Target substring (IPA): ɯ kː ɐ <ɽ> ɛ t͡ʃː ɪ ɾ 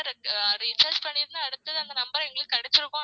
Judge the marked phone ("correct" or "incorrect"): correct